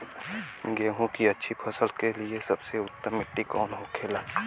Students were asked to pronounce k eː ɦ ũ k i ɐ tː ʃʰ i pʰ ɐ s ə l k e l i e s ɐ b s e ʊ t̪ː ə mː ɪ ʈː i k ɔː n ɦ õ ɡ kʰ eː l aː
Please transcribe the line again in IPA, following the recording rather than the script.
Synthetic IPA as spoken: ɡ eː ɦ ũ k i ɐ tː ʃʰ i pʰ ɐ s ə l k e l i e s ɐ b s e ʊ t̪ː ə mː ɪ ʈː i k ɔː n ɦ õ kʰ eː l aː